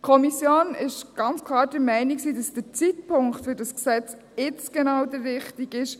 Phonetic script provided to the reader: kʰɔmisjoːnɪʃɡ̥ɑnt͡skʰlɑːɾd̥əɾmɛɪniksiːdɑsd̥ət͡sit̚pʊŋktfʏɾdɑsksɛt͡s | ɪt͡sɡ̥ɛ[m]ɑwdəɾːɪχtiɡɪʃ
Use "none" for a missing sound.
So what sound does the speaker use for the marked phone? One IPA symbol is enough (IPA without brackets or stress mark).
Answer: n